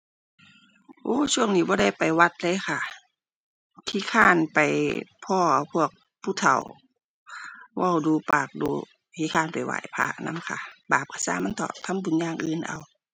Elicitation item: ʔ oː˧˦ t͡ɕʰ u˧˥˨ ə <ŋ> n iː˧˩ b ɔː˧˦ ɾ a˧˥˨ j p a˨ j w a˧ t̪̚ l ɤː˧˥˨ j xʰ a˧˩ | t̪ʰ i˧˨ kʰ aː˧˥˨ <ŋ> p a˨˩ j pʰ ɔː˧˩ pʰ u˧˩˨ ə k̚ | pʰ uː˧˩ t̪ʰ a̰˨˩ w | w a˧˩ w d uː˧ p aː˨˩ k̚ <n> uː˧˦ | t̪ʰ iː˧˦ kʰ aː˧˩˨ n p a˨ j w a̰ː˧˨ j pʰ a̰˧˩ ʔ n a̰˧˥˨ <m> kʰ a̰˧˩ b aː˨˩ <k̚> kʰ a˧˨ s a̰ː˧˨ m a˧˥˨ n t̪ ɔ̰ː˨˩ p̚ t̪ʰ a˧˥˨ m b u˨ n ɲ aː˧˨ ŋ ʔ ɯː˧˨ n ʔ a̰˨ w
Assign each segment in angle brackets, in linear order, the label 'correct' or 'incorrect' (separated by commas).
correct, incorrect, incorrect, correct, incorrect